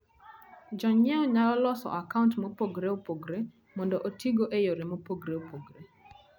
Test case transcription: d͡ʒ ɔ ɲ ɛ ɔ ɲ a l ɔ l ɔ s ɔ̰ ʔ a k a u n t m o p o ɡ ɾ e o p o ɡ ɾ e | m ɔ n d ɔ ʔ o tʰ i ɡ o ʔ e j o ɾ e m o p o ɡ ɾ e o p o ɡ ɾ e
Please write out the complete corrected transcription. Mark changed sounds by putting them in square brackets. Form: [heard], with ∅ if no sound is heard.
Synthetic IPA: d͡ʒ ɔ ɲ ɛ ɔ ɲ a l ɔ l ɔ s ɔ̰ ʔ a k a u n t m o p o ɡ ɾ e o p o ɡ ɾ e | m ɔ n d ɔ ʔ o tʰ i ɡ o ʔ e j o ɾ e m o p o ɡ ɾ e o p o ɡ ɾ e